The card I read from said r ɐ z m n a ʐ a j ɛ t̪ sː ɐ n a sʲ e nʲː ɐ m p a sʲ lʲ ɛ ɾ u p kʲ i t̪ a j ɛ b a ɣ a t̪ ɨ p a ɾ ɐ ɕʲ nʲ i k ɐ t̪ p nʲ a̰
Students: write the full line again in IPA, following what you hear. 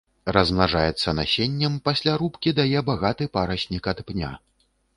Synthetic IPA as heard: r ɐ z m n a ʐ a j ɛ t̪ sː ɐ n a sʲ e nʲː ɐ m p a sʲ lʲ a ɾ u p kʲ i d̪ a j ɛ b a ɣ a t̪ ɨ p a ɾ ɐ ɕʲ nʲ i k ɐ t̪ p nʲ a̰